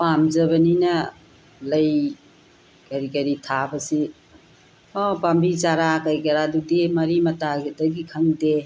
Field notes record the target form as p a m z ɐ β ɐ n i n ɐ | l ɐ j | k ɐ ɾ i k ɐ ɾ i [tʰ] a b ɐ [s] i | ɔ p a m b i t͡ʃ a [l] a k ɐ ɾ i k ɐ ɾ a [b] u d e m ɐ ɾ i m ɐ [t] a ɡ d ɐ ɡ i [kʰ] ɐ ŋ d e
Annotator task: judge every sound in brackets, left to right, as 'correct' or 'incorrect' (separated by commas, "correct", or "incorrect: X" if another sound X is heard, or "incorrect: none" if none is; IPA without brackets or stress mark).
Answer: correct, correct, incorrect: ɾ, incorrect: d, correct, correct